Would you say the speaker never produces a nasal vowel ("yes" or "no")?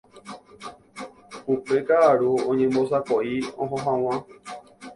no